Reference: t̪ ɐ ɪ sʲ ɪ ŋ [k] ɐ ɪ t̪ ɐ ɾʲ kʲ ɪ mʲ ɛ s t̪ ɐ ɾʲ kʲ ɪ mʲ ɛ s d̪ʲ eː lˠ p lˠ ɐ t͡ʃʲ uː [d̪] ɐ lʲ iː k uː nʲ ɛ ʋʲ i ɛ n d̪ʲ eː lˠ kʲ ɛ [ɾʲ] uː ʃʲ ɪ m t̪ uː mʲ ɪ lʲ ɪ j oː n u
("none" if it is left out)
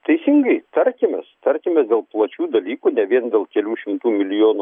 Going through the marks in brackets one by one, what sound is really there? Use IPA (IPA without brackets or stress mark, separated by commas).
ɡ, d̪, lʲ